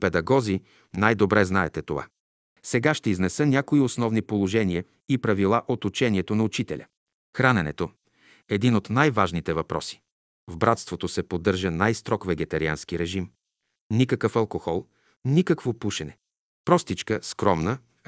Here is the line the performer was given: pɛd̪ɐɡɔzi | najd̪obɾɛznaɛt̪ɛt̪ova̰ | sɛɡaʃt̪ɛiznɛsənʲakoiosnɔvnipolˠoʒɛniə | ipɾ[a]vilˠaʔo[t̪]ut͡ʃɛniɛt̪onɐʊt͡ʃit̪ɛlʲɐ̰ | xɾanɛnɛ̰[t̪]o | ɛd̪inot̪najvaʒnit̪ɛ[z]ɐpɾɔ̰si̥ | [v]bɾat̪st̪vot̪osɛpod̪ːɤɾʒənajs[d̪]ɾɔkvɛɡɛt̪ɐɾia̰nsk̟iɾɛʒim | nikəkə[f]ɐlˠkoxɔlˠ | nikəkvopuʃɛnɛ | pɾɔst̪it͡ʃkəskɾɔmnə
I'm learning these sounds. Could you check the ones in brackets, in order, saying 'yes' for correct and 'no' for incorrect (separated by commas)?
no, yes, yes, no, yes, no, yes